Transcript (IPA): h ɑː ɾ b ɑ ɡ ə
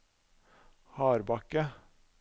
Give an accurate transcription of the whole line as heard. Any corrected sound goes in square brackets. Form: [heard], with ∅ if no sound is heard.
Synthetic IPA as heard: h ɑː ɾ b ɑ [k] ə